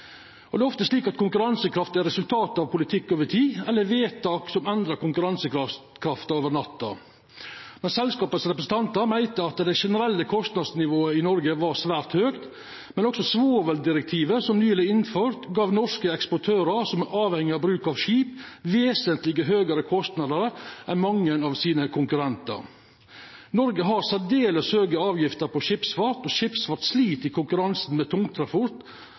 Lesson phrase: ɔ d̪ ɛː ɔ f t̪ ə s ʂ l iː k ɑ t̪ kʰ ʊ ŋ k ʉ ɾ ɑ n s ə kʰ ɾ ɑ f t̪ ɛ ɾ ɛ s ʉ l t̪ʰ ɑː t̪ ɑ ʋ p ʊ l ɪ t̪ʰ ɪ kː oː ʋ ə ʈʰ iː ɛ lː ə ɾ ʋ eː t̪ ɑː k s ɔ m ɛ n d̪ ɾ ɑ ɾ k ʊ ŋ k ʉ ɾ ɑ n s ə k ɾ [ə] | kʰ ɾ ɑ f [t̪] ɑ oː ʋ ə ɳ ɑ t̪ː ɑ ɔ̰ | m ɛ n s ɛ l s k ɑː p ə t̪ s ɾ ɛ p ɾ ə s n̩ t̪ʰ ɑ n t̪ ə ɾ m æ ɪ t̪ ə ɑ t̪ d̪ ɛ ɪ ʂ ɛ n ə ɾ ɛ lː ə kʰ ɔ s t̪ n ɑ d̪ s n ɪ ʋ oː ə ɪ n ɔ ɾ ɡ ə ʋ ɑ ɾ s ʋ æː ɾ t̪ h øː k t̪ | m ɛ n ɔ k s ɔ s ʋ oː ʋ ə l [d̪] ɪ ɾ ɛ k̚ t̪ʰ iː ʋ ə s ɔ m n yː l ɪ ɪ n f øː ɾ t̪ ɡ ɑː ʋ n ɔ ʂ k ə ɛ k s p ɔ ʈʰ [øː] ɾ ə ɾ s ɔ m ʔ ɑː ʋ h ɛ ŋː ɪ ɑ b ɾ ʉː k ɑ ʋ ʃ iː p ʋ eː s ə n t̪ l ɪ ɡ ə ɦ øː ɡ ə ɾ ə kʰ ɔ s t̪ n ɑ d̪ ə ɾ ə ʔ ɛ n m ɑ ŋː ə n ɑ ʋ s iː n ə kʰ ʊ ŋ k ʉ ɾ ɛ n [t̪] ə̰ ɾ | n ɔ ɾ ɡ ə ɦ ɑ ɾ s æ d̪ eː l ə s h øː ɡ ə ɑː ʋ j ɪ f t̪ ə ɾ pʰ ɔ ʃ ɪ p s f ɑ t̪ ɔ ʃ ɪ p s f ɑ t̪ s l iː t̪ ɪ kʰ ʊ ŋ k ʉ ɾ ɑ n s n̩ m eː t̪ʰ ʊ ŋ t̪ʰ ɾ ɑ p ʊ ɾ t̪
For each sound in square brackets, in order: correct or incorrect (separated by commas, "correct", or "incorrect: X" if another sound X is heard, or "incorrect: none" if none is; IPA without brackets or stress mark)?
incorrect: ɑ, correct, correct, correct, correct